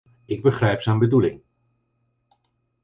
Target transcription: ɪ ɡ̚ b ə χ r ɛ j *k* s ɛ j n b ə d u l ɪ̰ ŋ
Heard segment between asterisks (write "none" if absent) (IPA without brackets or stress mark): p